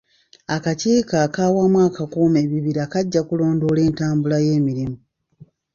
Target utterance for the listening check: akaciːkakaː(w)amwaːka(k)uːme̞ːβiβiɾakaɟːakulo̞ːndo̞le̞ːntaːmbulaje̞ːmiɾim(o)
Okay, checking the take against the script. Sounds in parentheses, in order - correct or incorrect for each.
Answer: correct, correct, incorrect

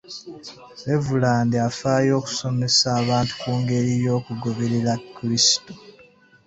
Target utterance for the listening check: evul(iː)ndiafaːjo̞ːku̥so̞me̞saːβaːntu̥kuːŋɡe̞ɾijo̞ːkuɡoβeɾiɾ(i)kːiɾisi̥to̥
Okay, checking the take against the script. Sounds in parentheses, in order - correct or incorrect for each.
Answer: incorrect, incorrect

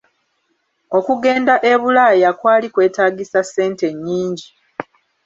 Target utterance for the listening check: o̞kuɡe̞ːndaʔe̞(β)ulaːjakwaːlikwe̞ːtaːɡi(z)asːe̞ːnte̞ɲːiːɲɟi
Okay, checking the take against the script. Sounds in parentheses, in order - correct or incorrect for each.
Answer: correct, incorrect

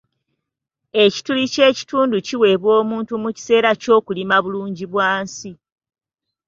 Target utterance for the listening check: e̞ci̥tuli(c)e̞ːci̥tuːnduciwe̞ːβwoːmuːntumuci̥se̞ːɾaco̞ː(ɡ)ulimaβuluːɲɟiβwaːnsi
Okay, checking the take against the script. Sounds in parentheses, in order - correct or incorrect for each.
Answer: correct, incorrect

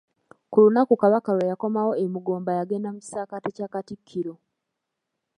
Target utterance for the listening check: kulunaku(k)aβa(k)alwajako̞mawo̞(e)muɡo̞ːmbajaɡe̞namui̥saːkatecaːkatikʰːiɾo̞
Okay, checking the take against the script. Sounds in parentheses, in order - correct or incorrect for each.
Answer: correct, correct, correct

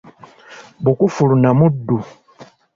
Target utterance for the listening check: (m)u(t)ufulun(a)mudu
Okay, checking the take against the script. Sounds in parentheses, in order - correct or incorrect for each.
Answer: incorrect, incorrect, correct

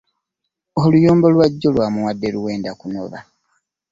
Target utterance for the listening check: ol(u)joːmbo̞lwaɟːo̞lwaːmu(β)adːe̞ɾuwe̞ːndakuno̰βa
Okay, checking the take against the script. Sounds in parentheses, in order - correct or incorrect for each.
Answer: correct, incorrect

